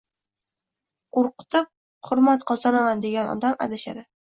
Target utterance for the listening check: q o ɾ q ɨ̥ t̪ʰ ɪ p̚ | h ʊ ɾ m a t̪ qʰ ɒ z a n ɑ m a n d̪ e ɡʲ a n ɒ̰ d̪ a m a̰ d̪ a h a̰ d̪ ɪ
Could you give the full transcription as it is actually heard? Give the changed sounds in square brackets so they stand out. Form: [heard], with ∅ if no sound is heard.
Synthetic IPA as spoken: q o ɾ q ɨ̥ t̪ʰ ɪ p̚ | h ʊ ɾ m a t̪ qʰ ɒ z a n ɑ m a n d̪ e ɡʲ a n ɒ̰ d̪ a m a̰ d̪ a [ʃ] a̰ d̪ ɪ